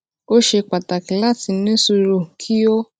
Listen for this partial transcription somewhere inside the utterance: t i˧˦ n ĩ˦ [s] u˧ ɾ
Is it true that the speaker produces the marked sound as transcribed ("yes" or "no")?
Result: yes